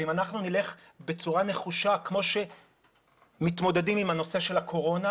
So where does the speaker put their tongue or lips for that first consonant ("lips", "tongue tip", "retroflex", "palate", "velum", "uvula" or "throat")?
lips